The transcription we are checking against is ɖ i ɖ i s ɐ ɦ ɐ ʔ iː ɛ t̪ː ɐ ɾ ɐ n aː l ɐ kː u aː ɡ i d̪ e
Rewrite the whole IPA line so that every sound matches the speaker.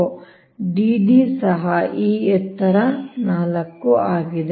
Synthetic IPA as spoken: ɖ i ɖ i s ɐ ɦ ɐ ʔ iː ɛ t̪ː ɐ ɾ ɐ n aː l ɐ kː u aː ɡ i d̪ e